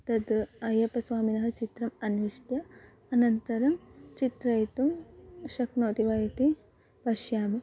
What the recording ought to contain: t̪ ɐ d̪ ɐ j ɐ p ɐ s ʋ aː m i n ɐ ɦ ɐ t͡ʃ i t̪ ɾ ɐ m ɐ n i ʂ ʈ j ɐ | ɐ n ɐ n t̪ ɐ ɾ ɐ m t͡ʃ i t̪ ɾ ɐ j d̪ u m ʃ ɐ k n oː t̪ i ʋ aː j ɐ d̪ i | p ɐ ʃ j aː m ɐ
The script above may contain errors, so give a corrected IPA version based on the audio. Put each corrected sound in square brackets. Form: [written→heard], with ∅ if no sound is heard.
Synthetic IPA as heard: t̪ ɐ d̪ ɐ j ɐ p ɐ s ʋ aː m i n ɐ ɦ ɐ t͡ʃ i t̪ ɾ ɐ m ɐ n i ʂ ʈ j ɐ | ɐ n ɐ n t̪ ɐ ɾ ɐ m t͡ʃ i t̪ ɾ ɐ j [d̪→t̪] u m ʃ ɐ k n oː t̪ i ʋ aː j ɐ [d̪→t̪] i | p ɐ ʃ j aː m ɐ